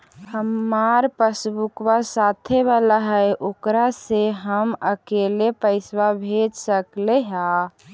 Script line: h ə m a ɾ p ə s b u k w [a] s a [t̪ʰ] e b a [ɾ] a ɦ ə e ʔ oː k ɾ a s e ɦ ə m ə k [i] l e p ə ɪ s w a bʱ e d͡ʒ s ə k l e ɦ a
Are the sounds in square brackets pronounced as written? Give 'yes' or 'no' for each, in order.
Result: yes, yes, no, no

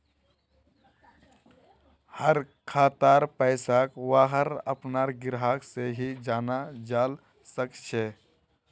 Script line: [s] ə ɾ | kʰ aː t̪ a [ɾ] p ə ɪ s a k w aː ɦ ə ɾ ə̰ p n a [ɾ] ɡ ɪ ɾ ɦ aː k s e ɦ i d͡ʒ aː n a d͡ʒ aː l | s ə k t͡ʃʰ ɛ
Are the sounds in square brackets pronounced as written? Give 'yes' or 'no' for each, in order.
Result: no, yes, yes

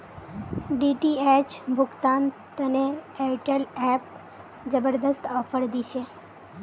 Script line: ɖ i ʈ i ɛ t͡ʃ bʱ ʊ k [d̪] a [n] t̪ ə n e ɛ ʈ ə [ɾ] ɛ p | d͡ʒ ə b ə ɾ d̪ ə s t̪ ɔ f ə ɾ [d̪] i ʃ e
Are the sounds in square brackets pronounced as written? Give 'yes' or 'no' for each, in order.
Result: no, yes, no, yes

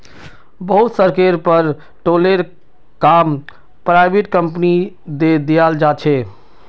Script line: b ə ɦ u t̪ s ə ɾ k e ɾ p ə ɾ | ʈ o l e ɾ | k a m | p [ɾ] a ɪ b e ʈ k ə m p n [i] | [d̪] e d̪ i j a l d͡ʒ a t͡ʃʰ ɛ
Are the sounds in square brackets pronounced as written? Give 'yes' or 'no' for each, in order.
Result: yes, yes, yes

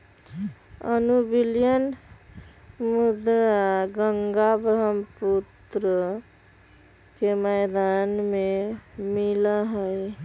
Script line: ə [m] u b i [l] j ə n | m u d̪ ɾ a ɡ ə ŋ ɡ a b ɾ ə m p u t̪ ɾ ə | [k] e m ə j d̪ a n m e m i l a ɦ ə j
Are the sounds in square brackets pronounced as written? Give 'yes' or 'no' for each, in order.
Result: no, yes, yes

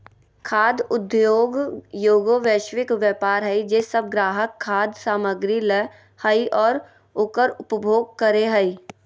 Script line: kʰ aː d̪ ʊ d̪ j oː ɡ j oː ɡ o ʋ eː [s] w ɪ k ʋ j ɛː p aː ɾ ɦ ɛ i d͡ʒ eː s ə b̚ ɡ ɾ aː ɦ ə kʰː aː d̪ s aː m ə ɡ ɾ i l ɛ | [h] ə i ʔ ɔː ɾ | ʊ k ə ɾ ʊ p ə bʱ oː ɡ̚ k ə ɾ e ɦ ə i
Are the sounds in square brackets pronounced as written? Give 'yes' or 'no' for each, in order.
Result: no, yes

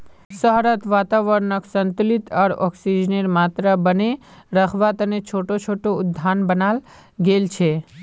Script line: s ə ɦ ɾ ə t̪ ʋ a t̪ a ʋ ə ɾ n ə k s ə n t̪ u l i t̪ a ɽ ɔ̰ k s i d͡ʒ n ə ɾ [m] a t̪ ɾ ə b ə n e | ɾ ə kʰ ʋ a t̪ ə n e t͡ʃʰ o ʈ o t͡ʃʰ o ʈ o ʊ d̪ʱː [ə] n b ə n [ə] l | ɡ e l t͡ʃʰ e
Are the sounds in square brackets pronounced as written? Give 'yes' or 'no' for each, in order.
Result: yes, no, no

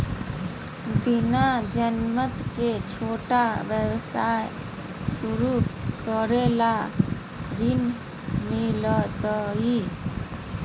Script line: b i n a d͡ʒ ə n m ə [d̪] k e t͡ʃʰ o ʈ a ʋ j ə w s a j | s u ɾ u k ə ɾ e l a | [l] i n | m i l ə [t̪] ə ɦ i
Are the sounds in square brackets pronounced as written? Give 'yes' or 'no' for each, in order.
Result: no, no, yes

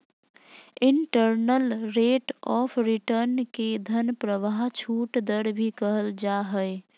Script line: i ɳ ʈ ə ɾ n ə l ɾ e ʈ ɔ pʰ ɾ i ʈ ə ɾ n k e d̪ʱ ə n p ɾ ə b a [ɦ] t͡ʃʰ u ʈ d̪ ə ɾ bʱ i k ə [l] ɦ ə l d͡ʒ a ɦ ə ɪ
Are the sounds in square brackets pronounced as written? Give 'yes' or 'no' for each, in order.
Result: yes, no

